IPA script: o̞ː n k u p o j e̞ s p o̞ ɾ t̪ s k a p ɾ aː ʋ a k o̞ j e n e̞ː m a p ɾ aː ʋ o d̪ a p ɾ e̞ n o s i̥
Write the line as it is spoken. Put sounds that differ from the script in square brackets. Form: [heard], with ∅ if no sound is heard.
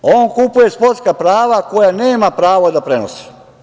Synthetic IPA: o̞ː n k u p [u] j e̞ s p o̞ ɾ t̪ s k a p ɾ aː ʋ a k o̞ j [a] n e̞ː m a p ɾ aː ʋ o d̪ a p ɾ e̞ n o s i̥